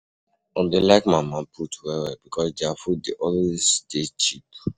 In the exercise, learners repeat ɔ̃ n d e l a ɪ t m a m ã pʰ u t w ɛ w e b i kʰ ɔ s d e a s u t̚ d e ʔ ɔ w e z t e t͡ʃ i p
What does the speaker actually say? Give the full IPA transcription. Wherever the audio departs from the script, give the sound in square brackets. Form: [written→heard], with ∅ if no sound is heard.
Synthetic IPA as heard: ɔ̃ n d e l a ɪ [t→k] m a m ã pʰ u t w ɛ w [e→ɛ] b i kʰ ɔ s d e a [s→f] u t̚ d e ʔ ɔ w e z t e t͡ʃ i p